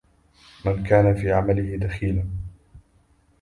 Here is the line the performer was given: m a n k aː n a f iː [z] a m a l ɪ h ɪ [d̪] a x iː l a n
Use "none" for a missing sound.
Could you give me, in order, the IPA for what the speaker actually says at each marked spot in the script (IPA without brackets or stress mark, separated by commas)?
ʕ, d̪